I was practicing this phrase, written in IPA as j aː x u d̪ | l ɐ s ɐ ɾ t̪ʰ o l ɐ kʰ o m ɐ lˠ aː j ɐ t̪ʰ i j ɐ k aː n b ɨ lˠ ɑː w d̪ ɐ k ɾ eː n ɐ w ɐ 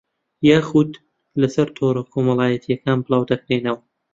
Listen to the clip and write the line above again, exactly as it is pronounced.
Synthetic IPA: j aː x u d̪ | l ɐ s ɐ ɾ t̪ʰ o ɾ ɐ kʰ o m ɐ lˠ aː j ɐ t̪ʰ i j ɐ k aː n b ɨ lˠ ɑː w d̪ ɐ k ɾ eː n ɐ w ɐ